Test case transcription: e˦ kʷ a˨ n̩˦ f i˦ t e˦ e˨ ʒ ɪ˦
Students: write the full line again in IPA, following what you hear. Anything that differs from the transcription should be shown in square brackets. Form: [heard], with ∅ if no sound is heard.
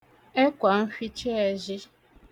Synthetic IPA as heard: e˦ kʷ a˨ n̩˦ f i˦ [t͡ʃ] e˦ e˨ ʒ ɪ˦